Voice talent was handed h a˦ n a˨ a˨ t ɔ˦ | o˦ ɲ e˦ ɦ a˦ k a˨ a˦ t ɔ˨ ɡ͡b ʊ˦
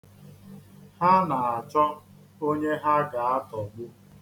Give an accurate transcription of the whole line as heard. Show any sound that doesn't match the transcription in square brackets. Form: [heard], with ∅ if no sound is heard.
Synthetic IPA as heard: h a˦ n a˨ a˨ [t͡ʃ] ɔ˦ | o˦ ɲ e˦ ɦ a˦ [ɡ] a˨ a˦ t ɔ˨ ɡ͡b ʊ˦